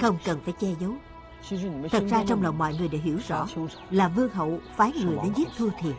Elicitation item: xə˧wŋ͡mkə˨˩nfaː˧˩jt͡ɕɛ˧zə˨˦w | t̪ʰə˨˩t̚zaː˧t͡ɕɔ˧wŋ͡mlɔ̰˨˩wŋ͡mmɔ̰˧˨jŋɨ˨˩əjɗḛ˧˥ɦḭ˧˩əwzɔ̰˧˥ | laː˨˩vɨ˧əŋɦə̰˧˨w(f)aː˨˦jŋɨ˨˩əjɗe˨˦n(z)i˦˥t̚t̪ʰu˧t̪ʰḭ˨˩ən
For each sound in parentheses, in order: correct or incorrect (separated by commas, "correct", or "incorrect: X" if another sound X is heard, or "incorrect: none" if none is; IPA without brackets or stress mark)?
correct, correct